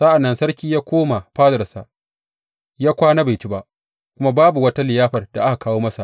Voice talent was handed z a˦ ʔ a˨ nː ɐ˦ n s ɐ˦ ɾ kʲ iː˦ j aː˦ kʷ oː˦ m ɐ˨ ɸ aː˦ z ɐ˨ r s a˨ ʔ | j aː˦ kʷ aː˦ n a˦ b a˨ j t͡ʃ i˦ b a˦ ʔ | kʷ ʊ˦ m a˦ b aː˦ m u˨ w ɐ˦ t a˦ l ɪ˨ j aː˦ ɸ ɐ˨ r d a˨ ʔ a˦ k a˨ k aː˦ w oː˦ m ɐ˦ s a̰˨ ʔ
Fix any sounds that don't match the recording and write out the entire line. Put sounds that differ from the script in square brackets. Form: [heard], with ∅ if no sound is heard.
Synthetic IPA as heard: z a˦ ʔ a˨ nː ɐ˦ n s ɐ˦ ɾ kʲ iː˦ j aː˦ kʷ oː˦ m [a˨] ɸ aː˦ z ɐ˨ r s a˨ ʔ | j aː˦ kʷ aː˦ n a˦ b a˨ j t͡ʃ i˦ b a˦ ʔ | kʷ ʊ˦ m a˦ b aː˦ [b] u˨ w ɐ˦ t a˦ l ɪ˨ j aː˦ ɸ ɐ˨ r d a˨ ʔ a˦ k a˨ k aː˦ w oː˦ m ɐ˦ s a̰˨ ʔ